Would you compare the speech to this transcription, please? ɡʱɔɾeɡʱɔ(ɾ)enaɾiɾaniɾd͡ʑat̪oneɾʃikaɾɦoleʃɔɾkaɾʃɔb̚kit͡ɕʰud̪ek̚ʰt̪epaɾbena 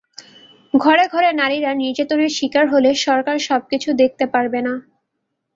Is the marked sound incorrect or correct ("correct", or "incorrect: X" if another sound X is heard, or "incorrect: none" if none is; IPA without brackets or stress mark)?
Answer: correct